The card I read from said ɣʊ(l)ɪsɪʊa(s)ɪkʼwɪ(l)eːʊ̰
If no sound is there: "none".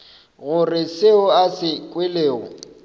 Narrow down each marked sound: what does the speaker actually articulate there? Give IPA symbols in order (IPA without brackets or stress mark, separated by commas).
r, s, l